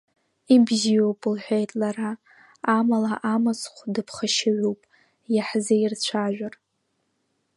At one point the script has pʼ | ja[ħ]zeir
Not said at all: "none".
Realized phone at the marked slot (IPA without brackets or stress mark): ħ